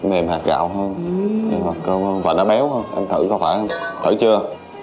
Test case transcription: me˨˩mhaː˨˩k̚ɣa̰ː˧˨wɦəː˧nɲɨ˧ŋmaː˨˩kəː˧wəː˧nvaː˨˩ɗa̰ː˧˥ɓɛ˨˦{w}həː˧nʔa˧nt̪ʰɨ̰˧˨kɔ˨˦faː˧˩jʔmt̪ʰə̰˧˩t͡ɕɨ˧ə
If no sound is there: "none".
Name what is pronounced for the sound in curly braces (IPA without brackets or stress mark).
w